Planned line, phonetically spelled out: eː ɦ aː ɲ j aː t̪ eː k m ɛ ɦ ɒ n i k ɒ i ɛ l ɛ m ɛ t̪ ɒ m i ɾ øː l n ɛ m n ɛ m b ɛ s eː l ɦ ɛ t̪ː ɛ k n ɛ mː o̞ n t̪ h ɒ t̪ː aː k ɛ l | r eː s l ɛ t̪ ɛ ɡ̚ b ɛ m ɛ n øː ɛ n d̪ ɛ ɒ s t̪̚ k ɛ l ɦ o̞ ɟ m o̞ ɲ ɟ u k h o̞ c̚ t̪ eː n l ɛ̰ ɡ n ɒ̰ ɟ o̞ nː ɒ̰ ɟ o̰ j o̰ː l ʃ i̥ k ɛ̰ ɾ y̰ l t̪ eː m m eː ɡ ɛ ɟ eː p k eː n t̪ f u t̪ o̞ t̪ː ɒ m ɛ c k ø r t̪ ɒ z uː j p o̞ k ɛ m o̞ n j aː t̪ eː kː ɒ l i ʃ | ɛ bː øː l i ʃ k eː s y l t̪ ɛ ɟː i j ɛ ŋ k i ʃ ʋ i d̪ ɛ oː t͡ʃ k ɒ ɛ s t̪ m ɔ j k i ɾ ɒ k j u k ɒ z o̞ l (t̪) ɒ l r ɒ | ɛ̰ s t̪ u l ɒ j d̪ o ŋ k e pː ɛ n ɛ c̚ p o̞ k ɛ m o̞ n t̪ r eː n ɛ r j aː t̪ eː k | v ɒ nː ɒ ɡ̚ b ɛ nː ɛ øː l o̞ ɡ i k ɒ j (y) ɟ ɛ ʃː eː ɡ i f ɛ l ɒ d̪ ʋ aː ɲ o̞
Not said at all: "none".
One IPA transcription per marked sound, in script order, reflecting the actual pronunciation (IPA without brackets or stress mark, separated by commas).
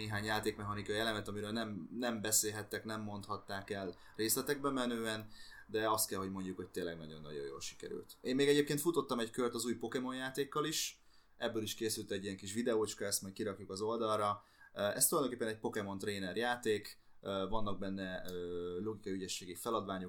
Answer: d̪, y